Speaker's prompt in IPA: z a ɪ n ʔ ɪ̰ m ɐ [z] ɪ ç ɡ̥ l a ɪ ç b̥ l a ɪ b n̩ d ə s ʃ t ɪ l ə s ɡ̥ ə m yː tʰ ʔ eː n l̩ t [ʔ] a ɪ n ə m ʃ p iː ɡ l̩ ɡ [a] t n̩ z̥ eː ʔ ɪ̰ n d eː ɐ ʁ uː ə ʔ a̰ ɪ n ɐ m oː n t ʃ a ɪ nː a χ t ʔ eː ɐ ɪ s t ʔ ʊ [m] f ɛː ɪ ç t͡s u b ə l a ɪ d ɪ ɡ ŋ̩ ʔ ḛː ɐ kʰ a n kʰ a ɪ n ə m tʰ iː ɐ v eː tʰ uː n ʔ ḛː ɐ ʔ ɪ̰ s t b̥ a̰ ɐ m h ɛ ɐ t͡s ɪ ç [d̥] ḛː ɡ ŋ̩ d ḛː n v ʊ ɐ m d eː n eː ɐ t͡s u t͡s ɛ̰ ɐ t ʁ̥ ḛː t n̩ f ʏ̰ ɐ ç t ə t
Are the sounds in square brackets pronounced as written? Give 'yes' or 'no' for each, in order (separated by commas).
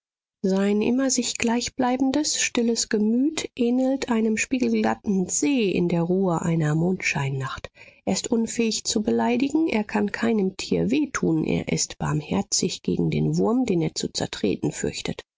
yes, yes, yes, no, no